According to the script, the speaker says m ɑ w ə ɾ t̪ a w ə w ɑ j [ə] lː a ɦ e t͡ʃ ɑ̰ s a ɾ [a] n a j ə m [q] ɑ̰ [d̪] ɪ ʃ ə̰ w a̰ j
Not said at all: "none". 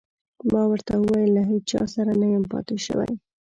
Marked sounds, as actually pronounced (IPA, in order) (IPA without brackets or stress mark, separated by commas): ə, a, p, t̪